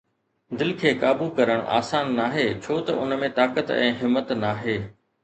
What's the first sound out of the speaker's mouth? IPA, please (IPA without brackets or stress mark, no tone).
d̪